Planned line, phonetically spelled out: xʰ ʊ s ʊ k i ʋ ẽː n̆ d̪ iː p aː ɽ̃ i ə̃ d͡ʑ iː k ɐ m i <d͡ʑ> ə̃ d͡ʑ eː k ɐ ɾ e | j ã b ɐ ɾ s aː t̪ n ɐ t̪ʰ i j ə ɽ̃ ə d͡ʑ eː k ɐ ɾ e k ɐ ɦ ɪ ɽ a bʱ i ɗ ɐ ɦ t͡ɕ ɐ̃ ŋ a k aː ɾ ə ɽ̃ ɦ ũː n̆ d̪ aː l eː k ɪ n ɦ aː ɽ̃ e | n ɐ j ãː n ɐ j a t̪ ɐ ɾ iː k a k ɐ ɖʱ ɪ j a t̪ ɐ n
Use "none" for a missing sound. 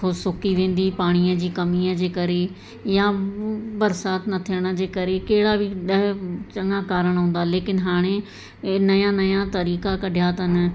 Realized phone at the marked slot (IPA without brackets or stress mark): none